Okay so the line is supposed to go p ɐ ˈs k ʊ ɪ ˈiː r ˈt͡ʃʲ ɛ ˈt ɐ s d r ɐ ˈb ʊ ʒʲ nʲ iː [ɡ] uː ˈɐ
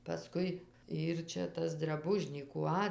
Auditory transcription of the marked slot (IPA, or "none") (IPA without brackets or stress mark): k